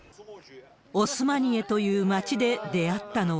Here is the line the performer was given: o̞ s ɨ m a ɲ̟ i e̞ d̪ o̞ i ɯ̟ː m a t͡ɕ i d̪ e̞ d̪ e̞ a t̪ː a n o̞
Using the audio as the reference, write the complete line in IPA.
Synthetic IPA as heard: o̞ s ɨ m a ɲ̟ i e̞ t̪ o̞ j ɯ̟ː m a t͡ɕ i d̪ e̞ d̪ e̞ a t̪ː a n o̞